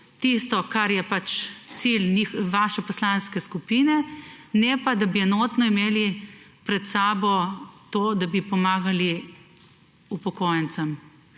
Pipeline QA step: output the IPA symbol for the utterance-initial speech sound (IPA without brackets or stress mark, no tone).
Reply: t̪